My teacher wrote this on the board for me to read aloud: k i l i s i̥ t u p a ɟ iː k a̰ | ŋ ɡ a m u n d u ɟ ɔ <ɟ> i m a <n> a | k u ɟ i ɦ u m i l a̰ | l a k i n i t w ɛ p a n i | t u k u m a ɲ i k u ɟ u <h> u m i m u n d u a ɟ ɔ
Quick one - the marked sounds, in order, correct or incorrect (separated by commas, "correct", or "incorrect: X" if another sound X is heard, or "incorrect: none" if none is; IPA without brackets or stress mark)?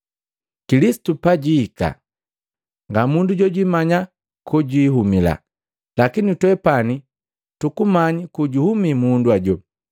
correct, incorrect: ɲ, correct